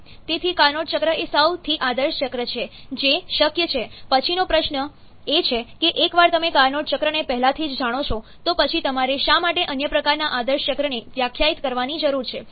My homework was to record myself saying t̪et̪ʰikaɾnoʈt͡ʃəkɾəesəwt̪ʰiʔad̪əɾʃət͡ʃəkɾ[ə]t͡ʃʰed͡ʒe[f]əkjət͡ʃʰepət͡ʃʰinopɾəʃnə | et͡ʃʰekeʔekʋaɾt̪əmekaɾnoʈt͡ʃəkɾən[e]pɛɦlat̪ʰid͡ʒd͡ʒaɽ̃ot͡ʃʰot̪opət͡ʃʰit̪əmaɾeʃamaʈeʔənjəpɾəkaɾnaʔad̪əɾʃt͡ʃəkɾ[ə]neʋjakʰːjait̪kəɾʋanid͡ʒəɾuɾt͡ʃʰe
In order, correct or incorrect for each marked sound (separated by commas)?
correct, incorrect, correct, correct